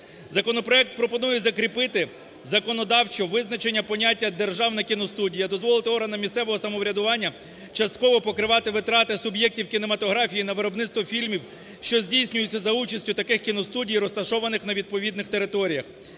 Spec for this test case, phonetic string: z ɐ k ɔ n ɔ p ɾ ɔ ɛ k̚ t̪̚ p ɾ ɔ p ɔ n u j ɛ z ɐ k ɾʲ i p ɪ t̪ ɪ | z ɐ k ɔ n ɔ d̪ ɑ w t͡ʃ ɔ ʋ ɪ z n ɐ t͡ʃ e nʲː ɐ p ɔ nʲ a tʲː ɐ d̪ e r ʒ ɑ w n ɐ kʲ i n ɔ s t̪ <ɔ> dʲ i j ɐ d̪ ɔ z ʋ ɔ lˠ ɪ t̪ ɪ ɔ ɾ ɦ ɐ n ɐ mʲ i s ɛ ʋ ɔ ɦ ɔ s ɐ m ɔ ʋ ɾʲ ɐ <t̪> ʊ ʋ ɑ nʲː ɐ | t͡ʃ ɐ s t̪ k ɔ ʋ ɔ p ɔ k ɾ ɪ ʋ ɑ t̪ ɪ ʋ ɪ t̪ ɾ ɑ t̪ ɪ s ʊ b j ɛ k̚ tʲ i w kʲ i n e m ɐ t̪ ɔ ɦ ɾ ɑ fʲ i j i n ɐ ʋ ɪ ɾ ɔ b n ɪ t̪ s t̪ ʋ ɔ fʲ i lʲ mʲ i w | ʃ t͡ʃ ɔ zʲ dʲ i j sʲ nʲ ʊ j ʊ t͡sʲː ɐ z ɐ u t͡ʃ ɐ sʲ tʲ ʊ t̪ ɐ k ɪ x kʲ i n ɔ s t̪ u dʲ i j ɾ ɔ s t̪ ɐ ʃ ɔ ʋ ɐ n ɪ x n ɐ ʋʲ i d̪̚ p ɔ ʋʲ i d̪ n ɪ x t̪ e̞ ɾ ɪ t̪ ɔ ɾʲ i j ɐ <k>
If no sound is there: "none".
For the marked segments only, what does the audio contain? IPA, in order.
u, d̪, x

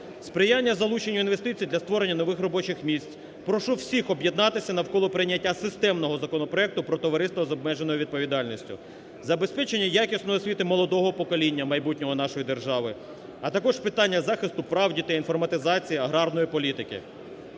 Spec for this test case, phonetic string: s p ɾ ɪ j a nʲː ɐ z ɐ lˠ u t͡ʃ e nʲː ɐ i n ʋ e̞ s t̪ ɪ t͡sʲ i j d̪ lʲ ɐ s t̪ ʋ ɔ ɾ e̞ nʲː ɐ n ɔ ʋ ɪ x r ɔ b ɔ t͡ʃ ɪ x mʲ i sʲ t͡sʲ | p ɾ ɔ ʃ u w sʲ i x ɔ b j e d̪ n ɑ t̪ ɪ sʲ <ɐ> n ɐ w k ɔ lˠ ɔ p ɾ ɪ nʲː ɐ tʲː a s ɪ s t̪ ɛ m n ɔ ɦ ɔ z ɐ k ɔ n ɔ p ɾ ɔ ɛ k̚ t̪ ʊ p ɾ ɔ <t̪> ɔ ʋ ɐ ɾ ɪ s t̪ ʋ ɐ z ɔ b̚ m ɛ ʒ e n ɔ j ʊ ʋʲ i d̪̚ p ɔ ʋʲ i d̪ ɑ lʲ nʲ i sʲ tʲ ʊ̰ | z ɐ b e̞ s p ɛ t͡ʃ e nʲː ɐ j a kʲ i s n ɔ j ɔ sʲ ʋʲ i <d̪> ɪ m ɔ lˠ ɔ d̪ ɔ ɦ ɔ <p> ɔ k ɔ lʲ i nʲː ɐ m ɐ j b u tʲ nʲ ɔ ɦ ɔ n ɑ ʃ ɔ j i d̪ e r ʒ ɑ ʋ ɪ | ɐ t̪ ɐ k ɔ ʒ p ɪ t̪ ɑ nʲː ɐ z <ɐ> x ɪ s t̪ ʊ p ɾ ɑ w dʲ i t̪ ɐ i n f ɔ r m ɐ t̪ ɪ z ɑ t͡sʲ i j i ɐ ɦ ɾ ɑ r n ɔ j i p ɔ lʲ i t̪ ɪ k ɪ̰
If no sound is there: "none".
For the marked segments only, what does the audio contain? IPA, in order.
ɐ, t̪, t̪, p, ɑ

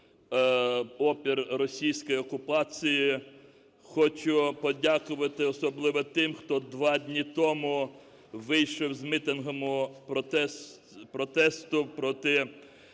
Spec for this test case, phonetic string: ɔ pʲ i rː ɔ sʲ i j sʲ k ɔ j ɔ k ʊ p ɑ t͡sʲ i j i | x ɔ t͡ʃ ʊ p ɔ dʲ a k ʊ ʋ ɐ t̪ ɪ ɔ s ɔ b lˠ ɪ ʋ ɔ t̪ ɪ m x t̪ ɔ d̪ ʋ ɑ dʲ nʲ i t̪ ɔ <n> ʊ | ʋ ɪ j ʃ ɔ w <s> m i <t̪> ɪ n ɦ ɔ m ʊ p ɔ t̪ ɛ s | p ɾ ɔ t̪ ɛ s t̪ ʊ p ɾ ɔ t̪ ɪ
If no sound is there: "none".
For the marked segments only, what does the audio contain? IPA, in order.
m, z, t̪

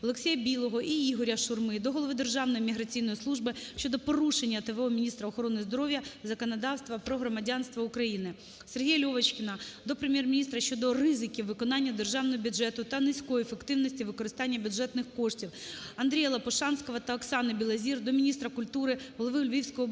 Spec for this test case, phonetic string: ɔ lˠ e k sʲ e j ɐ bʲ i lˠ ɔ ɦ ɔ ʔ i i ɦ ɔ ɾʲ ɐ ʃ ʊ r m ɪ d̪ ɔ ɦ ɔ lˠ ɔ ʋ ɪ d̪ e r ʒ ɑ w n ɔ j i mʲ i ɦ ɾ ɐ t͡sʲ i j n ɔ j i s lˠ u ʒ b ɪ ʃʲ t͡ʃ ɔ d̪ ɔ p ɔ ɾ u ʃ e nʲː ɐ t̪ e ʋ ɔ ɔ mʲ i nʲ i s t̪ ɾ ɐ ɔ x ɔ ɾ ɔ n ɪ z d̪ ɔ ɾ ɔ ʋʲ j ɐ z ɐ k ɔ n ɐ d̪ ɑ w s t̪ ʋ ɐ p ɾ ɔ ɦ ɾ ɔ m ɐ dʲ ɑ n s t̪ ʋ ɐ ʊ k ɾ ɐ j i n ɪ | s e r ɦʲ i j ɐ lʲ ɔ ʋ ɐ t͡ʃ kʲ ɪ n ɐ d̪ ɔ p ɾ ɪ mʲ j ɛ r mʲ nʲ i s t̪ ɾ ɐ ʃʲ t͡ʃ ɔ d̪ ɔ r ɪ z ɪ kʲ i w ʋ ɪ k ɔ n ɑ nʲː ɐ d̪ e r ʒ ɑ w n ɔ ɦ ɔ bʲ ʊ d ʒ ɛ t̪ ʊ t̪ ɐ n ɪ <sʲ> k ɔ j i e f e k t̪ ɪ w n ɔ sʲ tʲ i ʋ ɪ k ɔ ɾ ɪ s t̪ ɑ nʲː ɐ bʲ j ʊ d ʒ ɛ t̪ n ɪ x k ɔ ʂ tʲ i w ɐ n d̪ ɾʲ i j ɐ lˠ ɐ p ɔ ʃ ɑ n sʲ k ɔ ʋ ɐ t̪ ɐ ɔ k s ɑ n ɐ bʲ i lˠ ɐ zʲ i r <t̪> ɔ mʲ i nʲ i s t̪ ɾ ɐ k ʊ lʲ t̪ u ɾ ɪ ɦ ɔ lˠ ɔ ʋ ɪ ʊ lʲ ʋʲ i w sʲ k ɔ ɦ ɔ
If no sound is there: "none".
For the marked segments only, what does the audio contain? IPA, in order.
sʲ, d̪

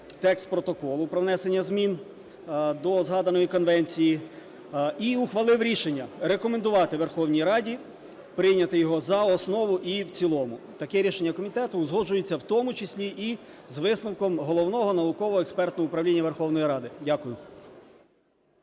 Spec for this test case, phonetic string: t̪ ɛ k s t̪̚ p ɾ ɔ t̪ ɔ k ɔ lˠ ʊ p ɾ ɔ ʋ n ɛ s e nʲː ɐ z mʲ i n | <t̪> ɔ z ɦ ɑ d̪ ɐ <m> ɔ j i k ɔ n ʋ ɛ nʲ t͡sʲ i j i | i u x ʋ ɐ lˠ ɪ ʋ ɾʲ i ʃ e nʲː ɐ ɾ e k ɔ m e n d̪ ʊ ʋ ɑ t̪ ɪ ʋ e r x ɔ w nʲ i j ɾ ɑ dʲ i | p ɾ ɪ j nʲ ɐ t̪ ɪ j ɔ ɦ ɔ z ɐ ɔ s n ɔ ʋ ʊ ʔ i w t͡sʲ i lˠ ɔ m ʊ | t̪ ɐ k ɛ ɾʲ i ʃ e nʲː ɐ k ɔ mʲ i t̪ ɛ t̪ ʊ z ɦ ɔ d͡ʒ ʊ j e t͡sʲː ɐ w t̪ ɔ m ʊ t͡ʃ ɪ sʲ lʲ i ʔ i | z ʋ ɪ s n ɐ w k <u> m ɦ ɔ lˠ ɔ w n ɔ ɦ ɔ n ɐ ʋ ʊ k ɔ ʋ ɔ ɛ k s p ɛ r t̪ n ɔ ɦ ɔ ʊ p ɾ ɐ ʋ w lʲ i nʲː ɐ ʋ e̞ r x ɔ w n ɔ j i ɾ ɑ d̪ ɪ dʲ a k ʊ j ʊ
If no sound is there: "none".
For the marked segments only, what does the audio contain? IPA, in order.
d̪, n, ɔ

